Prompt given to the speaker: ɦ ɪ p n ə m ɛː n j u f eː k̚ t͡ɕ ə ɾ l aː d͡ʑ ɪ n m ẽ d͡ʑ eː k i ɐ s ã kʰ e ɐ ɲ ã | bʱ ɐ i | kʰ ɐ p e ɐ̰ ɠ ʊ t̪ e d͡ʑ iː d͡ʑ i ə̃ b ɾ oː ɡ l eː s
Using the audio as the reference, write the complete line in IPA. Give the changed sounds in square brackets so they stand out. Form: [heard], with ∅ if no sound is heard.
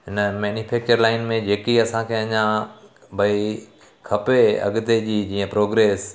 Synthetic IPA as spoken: ɦ ɪ [∅] n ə m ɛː n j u f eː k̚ t͡ɕ ə ɾ l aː [∅] ɪ n m ẽ d͡ʑ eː k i ɐ s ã kʰ e ɐ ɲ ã | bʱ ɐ i | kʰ ɐ p e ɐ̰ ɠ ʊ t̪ e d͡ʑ iː d͡ʑ [iː] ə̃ [p] ɾ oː ɡ [ɾ] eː s